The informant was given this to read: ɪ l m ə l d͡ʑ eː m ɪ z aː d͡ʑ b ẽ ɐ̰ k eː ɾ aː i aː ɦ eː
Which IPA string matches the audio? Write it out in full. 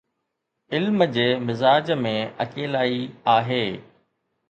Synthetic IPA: ɪ l m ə d͡ʑ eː m ɪ z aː d͡ʑ m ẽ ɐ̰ k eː l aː i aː ɦ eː